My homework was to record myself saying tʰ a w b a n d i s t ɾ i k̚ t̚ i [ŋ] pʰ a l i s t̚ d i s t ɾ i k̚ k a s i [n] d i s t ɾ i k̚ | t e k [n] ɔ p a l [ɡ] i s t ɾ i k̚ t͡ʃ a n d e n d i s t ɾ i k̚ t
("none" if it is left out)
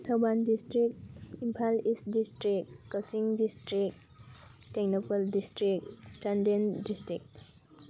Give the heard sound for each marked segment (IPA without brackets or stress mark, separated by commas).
m, ŋ, n, d